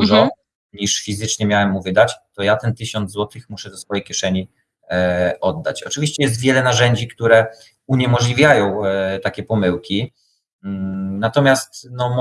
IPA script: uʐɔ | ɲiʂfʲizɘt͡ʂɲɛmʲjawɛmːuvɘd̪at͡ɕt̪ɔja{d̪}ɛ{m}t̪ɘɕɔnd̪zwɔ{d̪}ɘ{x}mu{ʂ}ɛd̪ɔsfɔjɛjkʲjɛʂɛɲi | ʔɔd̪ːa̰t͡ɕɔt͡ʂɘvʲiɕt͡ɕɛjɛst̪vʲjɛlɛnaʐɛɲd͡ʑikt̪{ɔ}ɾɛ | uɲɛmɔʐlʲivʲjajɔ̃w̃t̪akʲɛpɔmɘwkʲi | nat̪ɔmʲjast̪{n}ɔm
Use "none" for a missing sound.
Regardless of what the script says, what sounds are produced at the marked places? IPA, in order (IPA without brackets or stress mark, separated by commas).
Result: t̪, n, t̪, x, ʂ, u, n